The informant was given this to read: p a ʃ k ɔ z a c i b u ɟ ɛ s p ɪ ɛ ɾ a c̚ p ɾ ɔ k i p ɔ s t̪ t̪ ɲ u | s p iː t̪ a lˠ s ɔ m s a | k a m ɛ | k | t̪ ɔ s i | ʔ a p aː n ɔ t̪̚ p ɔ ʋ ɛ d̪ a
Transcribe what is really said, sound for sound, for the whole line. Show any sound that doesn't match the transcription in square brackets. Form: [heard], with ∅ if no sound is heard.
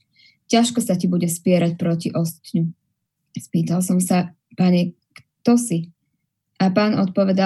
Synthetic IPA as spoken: [c] a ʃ k ɔ [s] a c i b u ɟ ɛ s p ɪ ɛ ɾ a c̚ p ɾ ɔ [c] i [ʔ] ɔ s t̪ t̪ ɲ u | s p iː t̪ a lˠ s ɔ m s a | [p] a [ɲ] ɛ | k | t̪ ɔ s i | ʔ a p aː n ɔ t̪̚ p ɔ ʋ ɛ d̪ a